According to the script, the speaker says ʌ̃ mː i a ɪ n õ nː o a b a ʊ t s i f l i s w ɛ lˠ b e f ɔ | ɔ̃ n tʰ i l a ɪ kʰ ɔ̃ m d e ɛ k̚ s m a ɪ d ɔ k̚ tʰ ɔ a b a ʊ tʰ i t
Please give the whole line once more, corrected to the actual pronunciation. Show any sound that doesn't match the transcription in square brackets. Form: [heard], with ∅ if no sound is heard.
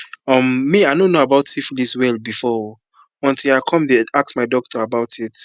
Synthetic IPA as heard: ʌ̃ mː i a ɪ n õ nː o a b a ʊ t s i f l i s w ɛ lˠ b [i] f ɔ | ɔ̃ n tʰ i l a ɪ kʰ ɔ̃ m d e [a] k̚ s m a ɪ d ɔ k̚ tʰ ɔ a b a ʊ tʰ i t